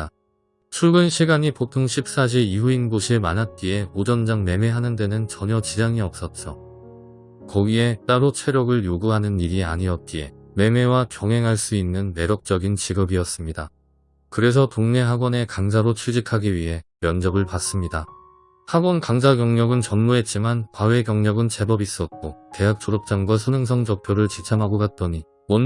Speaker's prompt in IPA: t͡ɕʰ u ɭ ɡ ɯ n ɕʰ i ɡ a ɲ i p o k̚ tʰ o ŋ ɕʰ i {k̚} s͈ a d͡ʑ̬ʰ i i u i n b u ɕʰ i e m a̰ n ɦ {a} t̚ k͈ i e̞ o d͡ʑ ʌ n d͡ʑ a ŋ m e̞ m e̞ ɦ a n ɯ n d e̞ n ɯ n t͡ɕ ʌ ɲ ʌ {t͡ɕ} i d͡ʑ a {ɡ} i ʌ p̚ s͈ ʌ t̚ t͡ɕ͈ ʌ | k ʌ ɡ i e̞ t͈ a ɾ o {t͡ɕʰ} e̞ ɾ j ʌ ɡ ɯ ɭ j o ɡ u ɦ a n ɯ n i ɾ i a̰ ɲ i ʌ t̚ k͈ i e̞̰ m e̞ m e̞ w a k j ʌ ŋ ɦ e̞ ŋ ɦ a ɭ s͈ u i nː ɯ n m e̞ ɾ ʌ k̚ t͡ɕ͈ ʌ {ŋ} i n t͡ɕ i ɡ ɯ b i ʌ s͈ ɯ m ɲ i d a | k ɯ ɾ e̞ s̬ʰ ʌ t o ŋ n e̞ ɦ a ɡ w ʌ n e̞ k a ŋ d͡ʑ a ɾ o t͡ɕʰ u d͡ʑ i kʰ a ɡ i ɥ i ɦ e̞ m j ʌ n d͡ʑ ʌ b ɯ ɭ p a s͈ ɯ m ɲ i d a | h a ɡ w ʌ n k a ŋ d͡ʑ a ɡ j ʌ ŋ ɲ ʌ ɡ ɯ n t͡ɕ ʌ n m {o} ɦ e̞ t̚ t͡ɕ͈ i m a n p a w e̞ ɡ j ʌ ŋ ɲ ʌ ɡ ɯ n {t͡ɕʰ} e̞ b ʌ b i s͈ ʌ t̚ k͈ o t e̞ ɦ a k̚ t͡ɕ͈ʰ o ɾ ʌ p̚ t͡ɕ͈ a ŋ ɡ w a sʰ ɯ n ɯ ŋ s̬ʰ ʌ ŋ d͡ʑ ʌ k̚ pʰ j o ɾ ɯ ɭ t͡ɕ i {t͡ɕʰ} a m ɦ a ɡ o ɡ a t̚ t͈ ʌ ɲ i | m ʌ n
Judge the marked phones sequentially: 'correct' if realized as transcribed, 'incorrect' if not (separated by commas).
incorrect, correct, correct, incorrect, correct, incorrect, incorrect, correct, correct